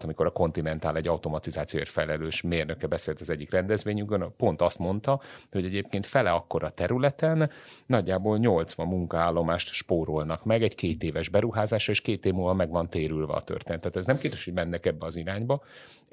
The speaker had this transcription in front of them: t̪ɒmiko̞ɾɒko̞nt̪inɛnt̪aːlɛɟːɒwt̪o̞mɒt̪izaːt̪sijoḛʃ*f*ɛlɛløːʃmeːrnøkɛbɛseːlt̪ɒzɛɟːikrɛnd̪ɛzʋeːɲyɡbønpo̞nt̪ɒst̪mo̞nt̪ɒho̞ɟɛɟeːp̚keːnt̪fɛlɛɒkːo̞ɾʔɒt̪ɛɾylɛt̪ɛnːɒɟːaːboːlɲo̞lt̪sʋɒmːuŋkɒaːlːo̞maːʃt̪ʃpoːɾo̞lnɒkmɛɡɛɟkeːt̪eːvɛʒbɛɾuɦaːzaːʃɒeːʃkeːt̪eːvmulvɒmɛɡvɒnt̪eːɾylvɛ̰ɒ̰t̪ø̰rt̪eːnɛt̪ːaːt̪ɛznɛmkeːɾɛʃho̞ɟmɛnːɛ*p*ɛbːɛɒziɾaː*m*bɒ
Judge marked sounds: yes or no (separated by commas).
yes, no, no